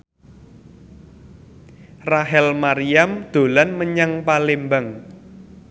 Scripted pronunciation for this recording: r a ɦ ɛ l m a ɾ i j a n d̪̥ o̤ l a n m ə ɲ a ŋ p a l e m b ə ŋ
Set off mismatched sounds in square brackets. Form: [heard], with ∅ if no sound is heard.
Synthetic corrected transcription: r a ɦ ɛ l m a ɾ i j a [m] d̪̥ o̤ l a n m ə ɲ a ŋ p a l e m b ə ŋ